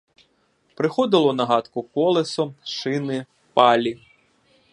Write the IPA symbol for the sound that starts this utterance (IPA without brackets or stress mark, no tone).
p